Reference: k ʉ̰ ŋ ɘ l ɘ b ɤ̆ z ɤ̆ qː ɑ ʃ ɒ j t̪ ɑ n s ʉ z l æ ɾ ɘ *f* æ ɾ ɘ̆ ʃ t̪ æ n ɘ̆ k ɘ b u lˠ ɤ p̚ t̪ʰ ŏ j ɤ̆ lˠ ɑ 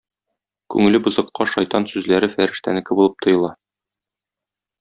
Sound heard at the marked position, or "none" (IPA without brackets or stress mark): f